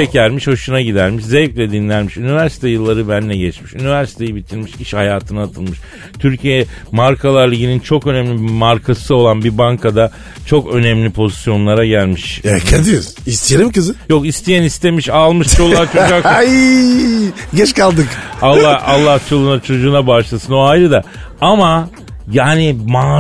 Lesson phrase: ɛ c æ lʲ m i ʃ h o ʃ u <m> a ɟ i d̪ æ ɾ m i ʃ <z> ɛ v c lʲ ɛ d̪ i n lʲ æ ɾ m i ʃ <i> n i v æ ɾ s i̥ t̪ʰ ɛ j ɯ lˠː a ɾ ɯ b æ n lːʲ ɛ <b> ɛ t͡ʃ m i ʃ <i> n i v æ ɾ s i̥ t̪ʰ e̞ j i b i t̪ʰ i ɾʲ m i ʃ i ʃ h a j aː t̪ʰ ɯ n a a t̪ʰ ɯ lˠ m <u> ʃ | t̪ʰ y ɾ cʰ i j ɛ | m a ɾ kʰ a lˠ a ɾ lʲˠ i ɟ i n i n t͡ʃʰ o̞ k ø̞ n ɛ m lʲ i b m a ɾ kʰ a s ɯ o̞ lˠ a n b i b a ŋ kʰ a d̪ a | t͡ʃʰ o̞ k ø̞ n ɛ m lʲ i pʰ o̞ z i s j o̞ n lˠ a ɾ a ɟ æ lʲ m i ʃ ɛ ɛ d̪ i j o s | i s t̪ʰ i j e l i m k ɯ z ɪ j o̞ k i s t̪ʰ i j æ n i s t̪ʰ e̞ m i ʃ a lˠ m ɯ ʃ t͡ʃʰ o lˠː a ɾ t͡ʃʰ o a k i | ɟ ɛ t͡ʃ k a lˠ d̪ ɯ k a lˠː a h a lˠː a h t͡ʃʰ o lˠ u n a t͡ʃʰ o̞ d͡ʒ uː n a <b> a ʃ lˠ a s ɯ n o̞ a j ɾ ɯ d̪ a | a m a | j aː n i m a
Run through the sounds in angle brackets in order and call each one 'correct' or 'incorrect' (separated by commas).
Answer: incorrect, correct, incorrect, incorrect, incorrect, incorrect, correct